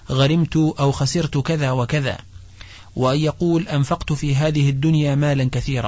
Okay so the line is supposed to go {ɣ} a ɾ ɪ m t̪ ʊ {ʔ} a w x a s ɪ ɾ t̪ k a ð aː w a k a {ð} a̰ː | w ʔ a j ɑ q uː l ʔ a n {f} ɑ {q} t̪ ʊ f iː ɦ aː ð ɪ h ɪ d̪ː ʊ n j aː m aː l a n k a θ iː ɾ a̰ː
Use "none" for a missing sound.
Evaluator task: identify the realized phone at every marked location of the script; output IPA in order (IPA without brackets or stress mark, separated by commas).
ɣ, ʔ, ð, f, q